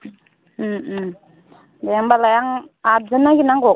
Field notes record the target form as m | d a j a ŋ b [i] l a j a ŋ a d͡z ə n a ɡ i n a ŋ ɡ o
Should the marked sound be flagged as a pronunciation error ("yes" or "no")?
yes